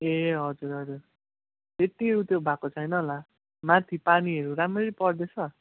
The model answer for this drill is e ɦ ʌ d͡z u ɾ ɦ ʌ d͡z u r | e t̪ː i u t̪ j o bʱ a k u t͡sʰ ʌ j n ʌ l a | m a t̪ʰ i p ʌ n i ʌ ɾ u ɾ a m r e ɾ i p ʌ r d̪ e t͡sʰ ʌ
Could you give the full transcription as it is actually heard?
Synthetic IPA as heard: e ɦ ʌ d͡z u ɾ ɦ ʌ d͡z u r | e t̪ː i u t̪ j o bʱ a k o t͡sʰ ʌ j n ʌ l a | m a t̪ʰ i p a n i ʌ ɾ u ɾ a m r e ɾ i p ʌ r d̪ e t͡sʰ ʌ